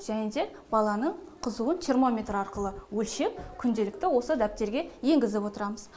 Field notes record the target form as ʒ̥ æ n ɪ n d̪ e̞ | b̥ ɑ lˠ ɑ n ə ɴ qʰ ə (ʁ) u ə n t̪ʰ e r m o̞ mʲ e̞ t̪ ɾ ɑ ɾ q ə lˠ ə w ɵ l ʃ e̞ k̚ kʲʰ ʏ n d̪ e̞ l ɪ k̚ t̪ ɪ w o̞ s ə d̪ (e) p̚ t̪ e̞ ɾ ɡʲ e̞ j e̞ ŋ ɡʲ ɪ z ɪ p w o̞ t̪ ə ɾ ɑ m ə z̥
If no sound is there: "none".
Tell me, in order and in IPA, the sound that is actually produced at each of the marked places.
z, æ

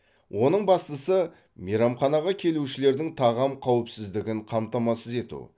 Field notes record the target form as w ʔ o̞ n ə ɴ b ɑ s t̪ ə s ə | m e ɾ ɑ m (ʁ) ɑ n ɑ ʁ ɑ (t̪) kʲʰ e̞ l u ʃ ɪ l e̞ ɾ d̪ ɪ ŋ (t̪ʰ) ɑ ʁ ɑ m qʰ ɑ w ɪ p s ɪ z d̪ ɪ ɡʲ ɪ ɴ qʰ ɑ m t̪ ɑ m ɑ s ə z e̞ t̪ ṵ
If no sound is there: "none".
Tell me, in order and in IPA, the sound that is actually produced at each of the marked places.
χ, none, t̪ʰ

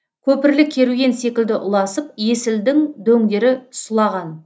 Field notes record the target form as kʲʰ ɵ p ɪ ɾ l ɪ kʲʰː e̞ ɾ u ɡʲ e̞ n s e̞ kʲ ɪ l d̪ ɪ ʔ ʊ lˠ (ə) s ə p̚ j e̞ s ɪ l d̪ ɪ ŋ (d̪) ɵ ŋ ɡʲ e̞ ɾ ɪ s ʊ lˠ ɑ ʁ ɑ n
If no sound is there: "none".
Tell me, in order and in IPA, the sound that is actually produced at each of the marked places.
ɑ, d̪

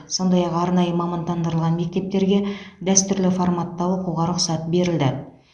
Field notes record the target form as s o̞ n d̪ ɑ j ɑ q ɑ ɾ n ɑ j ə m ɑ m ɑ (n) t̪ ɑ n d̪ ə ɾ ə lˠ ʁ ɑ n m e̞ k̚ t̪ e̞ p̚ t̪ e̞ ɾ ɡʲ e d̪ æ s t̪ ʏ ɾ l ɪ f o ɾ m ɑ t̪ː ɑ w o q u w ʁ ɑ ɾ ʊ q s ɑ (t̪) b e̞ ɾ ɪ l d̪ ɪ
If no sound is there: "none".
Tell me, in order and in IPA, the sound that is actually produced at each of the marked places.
n, t̪

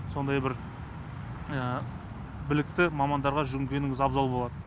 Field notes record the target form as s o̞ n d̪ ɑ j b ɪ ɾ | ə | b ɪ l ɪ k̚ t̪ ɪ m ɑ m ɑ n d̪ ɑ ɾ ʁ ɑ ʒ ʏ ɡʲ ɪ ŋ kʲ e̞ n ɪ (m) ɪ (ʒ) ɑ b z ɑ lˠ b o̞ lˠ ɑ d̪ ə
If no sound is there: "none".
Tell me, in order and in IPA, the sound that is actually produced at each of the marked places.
ŋ, z

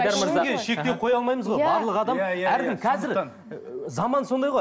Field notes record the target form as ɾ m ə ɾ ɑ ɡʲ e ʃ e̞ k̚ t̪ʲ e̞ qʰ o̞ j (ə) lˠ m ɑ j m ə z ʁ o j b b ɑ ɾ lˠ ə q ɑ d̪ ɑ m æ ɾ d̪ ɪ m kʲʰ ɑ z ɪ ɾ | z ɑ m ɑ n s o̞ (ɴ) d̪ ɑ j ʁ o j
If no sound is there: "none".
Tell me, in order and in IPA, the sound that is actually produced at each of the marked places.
ɑ, n

